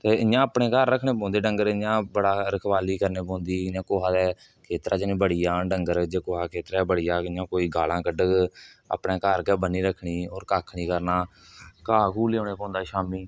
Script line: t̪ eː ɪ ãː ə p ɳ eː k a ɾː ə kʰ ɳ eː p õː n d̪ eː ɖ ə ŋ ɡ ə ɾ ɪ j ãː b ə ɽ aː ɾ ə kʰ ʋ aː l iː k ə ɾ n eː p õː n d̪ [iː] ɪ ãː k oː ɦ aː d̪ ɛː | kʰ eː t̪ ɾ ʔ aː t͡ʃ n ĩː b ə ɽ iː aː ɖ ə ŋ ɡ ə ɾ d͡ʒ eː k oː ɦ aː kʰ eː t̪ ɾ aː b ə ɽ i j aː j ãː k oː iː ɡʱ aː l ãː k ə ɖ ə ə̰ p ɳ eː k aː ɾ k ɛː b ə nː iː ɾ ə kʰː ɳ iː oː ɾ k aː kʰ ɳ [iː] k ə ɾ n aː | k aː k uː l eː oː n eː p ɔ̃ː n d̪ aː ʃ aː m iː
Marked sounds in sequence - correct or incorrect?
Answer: correct, correct

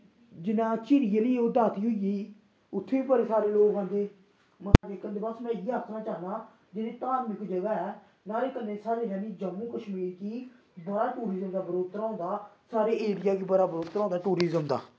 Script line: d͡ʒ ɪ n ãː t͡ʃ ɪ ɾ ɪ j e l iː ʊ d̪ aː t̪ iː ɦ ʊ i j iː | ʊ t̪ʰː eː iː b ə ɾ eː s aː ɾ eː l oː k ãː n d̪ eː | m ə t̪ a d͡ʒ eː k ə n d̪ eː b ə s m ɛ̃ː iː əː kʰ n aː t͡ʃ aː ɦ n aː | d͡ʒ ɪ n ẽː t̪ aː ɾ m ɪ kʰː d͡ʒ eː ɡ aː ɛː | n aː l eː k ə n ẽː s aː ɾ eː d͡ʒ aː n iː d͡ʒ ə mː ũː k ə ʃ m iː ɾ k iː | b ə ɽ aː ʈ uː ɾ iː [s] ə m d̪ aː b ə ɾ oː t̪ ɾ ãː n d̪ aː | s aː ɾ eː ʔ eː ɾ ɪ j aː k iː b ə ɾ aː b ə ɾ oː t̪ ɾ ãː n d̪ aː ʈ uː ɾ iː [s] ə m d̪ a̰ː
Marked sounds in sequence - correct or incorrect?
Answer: incorrect: z, incorrect: z

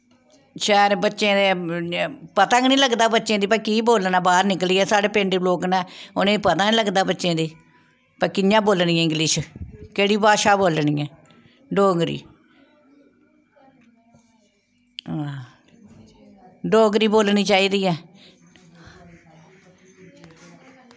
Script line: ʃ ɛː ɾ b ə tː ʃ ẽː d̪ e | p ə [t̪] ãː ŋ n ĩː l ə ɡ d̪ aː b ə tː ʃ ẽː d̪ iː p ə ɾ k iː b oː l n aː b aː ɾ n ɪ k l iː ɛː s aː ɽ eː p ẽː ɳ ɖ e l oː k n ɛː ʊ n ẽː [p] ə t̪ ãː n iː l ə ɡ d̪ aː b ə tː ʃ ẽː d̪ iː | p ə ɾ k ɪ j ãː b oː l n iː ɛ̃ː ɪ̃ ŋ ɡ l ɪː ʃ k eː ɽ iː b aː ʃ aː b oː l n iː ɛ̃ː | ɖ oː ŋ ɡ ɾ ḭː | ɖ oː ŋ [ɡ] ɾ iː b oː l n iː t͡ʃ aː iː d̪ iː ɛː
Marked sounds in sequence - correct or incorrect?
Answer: correct, correct, correct

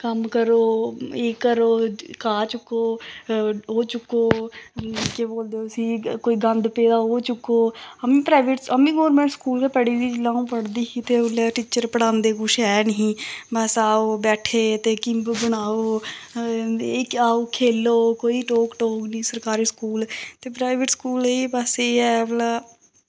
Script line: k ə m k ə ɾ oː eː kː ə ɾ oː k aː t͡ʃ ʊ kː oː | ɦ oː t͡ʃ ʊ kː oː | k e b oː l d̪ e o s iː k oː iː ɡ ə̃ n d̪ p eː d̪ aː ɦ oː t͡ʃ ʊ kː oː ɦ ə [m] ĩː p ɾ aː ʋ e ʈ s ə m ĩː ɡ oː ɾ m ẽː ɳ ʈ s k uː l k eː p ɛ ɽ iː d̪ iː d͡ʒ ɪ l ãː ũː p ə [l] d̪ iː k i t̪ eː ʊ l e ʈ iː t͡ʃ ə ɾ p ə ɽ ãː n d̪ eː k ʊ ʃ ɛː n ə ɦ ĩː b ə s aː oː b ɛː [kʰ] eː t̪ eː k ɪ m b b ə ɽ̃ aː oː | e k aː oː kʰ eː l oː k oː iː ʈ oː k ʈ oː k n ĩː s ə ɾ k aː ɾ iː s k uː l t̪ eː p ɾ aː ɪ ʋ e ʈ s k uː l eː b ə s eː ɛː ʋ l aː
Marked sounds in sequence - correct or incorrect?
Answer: correct, incorrect: ɽ, incorrect: ʈʰ

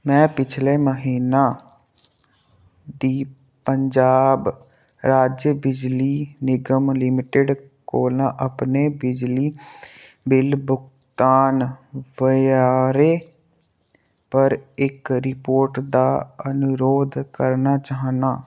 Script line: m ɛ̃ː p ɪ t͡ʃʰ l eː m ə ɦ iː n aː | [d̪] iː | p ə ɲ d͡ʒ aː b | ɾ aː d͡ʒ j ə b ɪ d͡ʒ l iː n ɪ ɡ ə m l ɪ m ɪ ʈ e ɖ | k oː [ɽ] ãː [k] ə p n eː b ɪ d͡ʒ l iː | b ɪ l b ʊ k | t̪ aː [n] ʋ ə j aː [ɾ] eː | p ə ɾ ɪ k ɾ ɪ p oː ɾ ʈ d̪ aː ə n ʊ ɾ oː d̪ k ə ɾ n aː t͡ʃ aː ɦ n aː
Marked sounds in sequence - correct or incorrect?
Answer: correct, incorrect: l, incorrect: ʔ, correct, correct

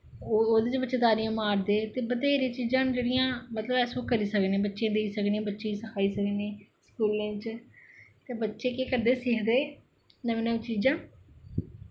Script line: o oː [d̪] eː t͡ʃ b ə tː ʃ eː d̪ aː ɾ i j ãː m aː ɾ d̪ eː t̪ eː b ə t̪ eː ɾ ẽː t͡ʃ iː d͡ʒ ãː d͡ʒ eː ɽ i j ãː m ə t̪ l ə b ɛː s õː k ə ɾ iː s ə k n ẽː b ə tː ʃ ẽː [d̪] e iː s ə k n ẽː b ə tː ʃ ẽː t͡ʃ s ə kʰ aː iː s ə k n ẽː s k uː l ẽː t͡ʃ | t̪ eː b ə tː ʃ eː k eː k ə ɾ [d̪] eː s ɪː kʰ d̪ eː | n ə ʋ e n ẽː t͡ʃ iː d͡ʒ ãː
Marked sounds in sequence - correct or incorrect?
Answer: correct, correct, correct

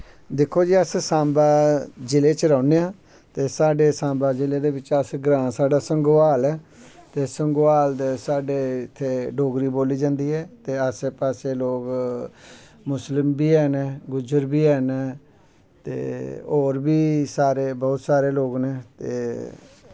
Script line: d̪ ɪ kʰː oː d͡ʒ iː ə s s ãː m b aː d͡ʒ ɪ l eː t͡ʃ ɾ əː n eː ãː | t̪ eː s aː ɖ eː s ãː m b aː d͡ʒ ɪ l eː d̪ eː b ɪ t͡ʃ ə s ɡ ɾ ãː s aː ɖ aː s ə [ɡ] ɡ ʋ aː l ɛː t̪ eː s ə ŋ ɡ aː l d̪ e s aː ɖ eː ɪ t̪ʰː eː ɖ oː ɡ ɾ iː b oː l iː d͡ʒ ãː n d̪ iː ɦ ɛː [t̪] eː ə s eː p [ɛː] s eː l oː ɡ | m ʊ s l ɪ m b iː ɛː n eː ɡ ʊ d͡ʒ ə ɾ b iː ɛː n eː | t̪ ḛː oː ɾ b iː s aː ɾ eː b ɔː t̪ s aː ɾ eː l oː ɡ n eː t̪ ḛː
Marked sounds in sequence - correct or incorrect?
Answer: incorrect: ŋ, correct, incorrect: aː

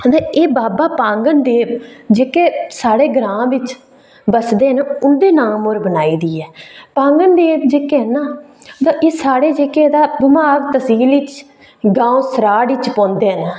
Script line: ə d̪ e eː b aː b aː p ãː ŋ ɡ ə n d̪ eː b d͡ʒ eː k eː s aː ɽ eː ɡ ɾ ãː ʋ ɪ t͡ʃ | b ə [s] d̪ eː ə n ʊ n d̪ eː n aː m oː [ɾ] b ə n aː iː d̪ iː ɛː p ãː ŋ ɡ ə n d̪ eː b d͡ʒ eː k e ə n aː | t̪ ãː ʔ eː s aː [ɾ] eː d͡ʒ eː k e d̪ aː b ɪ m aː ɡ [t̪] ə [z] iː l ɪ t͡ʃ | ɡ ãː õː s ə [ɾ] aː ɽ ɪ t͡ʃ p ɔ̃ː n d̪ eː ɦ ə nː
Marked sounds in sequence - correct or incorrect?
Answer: correct, correct, incorrect: ɽ, correct, incorrect: s, correct

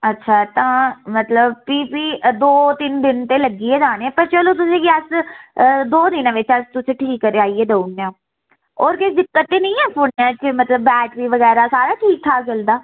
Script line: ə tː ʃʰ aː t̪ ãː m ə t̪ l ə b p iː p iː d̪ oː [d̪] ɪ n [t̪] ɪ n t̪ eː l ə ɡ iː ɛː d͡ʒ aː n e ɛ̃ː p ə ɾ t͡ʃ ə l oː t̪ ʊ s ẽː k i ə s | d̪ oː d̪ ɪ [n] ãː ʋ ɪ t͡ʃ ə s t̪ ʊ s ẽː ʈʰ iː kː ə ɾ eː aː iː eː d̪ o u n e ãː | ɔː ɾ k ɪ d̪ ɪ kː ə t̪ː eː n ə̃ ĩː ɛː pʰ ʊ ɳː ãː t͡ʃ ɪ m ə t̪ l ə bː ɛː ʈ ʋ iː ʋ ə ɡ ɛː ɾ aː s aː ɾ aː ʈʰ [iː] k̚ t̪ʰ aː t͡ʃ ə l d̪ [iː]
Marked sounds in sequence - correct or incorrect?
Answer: incorrect: t̪, incorrect: d̪, correct, correct, incorrect: aː

